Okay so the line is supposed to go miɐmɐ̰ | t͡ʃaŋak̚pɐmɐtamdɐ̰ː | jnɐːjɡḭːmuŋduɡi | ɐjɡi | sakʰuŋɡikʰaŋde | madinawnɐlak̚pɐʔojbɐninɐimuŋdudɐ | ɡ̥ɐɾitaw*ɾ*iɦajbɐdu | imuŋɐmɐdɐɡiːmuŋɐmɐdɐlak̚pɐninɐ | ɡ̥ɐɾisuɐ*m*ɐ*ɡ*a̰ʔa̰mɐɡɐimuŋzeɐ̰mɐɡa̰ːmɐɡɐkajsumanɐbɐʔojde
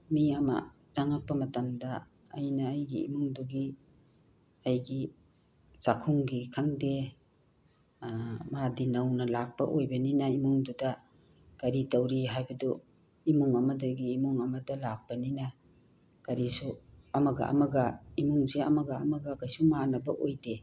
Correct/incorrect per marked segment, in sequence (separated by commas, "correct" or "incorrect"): correct, correct, correct